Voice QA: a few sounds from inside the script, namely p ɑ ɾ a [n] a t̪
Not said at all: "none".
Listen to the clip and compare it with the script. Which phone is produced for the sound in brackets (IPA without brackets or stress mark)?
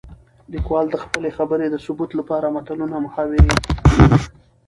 m